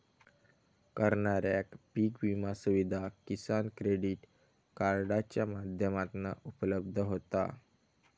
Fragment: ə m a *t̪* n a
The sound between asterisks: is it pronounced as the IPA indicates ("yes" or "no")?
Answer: yes